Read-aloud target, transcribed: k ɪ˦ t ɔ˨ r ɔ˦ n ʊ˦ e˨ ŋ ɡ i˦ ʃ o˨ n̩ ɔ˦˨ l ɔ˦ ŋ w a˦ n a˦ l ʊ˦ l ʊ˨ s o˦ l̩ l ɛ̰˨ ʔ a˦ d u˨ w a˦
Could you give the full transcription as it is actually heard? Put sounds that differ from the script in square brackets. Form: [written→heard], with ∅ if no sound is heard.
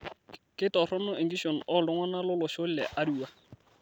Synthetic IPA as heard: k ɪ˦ t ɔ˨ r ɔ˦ n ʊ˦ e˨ ŋ ɡ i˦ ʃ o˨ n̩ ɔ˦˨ l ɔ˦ ŋ w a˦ n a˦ l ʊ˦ l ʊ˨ [s→ʃ] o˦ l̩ l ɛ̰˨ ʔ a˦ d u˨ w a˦

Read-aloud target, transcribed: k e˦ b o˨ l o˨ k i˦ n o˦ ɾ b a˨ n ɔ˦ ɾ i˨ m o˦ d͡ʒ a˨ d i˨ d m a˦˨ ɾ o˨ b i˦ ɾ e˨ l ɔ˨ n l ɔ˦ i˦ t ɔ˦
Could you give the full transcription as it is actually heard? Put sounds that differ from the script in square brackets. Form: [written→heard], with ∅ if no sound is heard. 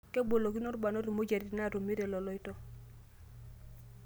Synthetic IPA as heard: k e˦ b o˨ l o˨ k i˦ n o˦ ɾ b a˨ n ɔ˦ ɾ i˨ m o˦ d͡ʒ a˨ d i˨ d [m→n] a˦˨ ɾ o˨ [b→m] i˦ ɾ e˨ l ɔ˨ [n→∅] l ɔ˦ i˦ t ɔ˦

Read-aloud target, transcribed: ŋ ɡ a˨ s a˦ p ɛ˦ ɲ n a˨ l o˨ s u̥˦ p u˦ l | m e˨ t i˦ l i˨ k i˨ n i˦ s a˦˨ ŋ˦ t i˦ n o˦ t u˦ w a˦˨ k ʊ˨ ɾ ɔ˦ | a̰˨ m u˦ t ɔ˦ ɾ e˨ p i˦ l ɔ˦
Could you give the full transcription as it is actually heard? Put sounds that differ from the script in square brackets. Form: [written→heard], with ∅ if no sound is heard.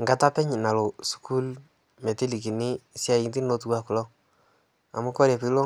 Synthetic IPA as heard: ŋ ɡ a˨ [s→t] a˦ p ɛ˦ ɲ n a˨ l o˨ s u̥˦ [p→k] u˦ l | m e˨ t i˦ l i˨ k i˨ n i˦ s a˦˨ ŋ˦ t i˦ n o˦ t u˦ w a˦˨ k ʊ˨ [ɾ→l] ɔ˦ | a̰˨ m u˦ [t→k] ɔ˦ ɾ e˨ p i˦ l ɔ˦

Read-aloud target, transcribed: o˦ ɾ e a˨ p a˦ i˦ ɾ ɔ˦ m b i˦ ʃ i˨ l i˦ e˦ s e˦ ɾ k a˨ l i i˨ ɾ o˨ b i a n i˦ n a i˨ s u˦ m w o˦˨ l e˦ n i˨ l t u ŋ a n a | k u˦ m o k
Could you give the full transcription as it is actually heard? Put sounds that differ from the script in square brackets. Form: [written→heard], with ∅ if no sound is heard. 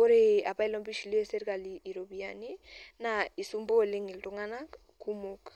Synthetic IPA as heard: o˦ ɾ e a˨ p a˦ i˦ [ɾ→l] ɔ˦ m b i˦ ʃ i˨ l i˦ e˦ s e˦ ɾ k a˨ l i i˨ ɾ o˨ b i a n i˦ n a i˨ s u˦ m [w→b] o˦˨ l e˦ [n→ŋ] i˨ l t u ŋ a n a | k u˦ m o k

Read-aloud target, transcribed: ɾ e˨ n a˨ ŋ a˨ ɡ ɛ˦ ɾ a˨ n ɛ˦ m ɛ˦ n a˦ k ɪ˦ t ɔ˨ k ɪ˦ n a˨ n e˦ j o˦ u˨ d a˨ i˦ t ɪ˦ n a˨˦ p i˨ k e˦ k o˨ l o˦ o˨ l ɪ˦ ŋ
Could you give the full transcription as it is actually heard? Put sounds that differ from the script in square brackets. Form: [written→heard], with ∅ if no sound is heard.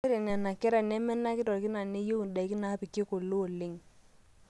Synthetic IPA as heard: ɾ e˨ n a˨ [ŋ→n] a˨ [ɡ→k] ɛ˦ ɾ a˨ n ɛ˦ m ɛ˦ n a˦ k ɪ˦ t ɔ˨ k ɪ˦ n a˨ n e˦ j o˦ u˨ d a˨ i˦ [t→k] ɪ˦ n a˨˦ p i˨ k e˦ k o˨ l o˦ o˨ l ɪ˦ ŋ

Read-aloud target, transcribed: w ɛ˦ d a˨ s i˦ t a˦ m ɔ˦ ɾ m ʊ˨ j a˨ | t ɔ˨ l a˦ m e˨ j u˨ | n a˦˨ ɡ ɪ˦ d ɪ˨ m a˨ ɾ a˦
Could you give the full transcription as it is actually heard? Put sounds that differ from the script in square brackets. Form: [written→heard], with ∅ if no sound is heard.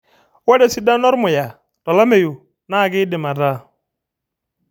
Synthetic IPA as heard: w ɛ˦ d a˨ s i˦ [t→d] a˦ [m→n] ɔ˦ ɾ m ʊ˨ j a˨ | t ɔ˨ l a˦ m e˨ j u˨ | n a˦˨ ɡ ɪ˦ d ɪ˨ m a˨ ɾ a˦

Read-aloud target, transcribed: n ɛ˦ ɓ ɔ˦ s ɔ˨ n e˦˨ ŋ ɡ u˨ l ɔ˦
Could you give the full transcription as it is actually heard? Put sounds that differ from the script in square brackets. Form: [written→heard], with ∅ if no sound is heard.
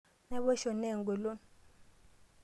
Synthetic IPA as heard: n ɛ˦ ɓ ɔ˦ [s→ʃ] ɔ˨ n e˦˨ ŋ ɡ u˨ l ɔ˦

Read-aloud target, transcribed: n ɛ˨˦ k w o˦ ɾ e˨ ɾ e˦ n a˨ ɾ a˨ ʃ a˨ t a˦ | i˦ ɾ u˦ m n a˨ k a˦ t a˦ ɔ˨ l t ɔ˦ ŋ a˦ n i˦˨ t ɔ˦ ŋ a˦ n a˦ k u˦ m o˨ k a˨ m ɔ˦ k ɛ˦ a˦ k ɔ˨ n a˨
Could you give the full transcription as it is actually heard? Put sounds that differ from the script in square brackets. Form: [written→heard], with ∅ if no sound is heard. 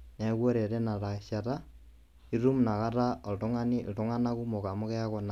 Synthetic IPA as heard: n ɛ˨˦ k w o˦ ɾ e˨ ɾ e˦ n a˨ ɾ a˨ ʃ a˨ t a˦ | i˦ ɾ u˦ m n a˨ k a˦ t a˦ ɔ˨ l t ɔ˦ ŋ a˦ n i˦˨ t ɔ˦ ŋ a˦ n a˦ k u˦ m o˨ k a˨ m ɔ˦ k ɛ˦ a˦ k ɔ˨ n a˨

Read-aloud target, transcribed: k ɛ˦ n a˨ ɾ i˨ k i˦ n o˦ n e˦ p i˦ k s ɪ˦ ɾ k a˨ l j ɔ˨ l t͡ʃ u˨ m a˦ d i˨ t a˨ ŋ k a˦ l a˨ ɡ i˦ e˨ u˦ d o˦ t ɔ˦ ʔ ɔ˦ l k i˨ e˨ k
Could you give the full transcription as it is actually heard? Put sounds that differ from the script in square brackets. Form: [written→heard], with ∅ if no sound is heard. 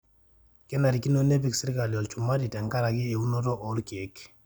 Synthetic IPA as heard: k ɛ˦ n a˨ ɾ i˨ k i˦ n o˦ n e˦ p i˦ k s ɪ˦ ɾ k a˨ l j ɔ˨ l t͡ʃ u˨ m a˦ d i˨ t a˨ ŋ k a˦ [l→ɾ] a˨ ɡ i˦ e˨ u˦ [d→n] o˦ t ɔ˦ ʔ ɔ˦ l k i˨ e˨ k

